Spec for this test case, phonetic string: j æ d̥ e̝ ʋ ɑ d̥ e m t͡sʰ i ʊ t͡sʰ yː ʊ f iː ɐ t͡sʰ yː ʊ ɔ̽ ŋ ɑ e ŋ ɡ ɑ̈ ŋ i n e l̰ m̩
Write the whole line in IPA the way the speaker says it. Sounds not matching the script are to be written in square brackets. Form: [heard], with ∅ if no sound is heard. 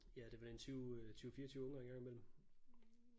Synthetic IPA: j æ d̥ e̝ ʋ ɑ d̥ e [n] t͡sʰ [y] ʊ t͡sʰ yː ʊ f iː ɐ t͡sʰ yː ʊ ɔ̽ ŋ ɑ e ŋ ɡ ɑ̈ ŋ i [m] e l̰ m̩

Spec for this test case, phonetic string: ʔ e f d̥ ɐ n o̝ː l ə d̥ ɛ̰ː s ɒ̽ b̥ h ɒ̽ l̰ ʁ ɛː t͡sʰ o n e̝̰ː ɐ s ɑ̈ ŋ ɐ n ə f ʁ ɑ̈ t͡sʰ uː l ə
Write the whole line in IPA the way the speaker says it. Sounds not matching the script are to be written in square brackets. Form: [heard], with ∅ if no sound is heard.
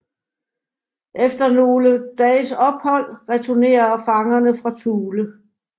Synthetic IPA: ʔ e f d̥ ɐ n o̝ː l ə d̥ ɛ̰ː s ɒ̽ b̥ h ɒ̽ l̰ ʁ [ɛ] t͡sʰ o n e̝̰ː ɐ [f] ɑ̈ ŋ ɐ n ə f ʁ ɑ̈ t͡sʰ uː l ə

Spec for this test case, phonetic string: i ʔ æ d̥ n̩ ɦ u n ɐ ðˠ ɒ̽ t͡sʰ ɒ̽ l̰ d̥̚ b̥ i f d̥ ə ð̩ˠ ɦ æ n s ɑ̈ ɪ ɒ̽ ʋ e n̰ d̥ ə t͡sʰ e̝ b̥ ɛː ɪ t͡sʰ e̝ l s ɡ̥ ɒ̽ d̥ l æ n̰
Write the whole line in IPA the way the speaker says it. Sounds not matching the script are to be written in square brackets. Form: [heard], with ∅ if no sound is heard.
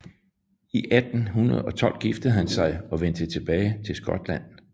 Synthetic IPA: i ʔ æ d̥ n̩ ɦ u n ɐ ðˠ ɒ̽ t͡sʰ ɒ̽ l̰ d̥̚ [ɡ̥] i f d̥ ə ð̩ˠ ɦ æ n s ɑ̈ ɪ ɒ̽ ʋ e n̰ d̥ ə t͡sʰ e̝ b̥ ɛː ɪ t͡sʰ e̝ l s ɡ̥ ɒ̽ d̥ l æ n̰

